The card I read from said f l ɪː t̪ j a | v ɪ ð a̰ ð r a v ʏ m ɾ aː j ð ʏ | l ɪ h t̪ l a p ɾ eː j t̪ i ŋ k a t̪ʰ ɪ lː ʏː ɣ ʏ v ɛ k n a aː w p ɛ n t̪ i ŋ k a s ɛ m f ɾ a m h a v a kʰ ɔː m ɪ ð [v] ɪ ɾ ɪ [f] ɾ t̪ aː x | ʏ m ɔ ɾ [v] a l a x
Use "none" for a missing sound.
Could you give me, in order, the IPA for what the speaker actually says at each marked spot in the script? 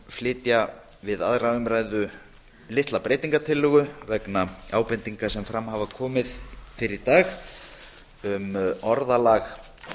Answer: f, none, ð

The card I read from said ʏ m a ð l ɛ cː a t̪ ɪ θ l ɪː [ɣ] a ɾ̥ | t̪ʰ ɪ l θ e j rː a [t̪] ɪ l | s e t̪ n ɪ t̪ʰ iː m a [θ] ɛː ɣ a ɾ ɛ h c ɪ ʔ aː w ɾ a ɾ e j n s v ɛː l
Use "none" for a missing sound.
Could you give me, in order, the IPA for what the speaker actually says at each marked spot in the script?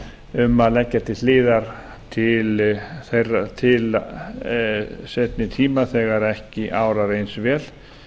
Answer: ð, t̪ʰ, θ

